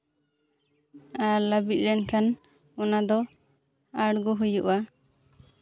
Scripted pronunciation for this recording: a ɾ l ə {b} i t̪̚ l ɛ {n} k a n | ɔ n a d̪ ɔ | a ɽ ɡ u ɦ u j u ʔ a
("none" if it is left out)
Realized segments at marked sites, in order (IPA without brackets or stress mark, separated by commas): b, n